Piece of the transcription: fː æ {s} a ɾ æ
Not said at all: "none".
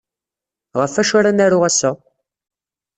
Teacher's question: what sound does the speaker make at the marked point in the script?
ʃ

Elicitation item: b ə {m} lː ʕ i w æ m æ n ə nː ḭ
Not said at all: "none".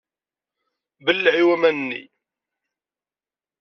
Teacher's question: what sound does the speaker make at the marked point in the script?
none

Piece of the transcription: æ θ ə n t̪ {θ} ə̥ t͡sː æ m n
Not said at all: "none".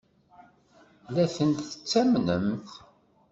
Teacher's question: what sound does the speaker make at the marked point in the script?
θ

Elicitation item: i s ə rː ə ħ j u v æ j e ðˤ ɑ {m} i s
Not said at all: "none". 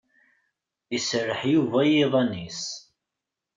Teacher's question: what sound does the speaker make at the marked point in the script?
n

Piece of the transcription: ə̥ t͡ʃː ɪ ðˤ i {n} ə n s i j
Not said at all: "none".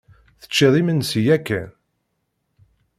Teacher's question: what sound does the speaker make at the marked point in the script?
m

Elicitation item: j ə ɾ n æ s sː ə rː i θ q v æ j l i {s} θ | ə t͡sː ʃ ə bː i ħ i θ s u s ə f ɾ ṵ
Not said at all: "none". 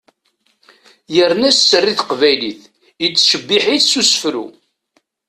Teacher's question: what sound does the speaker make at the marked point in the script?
none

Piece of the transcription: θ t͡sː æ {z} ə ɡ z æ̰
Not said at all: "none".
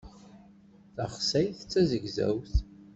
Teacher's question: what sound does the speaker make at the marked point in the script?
z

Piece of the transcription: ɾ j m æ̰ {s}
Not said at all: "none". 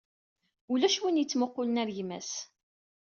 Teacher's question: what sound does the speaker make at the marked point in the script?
s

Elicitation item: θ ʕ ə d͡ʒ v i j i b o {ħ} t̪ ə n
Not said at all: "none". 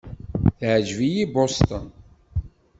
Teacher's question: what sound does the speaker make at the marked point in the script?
s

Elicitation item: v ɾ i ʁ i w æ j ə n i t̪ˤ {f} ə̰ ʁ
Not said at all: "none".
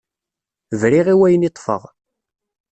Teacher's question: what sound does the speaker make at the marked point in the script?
f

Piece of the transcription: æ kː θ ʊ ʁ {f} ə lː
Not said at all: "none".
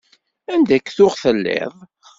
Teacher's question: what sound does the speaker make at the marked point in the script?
θ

